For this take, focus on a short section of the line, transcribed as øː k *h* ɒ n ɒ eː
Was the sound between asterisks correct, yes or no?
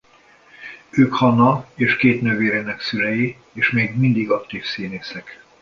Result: yes